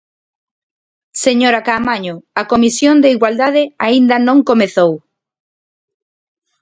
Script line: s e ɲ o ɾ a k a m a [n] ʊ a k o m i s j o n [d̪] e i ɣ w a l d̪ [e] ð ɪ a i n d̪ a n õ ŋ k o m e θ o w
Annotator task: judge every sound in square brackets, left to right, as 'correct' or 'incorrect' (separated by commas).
incorrect, correct, incorrect